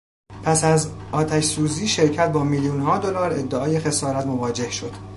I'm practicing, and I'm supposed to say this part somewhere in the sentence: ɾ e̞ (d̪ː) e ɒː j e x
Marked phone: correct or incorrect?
correct